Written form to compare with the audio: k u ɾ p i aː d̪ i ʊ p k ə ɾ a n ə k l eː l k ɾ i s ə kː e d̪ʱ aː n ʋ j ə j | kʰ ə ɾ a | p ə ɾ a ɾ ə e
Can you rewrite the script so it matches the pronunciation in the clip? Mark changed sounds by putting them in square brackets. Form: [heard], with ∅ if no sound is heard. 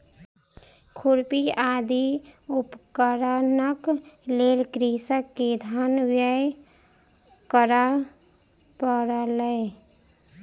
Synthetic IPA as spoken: [kʰ] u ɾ p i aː d̪ i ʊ p k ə ɾ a n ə k l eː l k ɾ i s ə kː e d̪ʱ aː n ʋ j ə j | [k] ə ɾ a | p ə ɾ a [l] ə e